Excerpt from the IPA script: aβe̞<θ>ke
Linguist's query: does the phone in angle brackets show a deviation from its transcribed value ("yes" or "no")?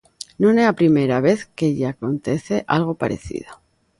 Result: no